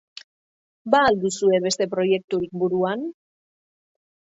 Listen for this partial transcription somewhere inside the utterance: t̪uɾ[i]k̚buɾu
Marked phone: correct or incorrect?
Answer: correct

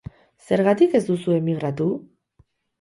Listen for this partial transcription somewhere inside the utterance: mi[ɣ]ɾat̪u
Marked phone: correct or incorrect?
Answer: correct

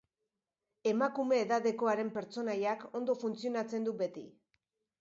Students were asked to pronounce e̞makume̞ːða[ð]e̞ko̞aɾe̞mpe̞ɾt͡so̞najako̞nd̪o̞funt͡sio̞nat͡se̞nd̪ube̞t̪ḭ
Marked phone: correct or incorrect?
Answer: correct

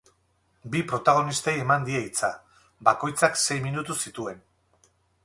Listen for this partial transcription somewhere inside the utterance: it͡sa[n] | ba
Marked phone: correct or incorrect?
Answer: incorrect: none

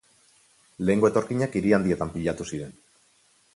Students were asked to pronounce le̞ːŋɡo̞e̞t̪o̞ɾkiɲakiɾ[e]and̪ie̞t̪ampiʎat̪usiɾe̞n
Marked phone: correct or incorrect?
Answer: incorrect: i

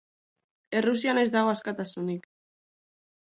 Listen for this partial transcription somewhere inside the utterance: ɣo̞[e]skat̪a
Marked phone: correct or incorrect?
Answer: incorrect: a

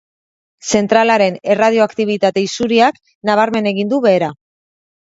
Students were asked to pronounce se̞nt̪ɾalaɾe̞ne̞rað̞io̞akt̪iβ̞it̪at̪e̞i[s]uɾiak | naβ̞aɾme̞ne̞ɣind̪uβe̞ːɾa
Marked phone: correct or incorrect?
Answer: correct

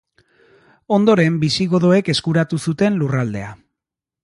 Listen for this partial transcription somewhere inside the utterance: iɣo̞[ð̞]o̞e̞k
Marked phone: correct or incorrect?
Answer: correct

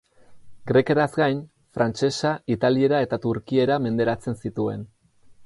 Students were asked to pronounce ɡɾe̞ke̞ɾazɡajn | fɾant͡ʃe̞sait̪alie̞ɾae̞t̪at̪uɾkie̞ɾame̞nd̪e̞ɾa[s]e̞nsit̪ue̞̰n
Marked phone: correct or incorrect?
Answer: incorrect: t͡s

